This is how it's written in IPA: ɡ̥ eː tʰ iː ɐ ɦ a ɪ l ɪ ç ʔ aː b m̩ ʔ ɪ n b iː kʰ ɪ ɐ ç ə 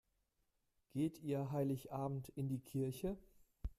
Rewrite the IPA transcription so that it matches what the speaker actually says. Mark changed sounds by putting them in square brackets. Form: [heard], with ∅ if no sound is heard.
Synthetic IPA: ɡ̥ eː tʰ iː ɐ ɦ a ɪ l ɪ ç ʔ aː b m̩ [t] ɪ n [d] iː kʰ ɪ ɐ ç ə